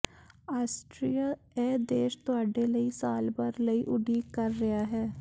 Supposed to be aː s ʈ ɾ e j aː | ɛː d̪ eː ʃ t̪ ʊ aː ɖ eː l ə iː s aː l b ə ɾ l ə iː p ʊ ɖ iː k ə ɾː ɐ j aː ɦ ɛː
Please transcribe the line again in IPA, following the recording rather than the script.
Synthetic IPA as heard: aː s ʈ ɾ i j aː | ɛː d̪ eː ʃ t̪ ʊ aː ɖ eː l ə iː s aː l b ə ɾ l ə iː ʔ ʊ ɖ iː k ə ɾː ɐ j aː ɦ ɛː